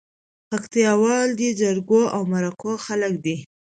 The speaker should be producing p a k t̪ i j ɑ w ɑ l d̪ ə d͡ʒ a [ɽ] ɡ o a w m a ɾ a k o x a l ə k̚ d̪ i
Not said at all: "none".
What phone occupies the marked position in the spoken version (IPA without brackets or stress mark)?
ɾ